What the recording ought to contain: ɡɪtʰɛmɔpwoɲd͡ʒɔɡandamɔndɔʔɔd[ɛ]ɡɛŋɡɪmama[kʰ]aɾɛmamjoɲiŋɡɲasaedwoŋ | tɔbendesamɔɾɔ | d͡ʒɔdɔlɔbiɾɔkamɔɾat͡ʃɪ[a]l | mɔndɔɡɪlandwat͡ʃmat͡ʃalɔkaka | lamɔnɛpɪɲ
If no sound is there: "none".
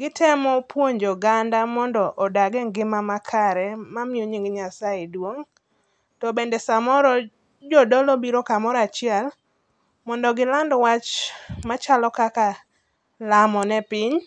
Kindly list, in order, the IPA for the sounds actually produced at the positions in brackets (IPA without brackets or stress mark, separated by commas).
a, kʰ, ɛ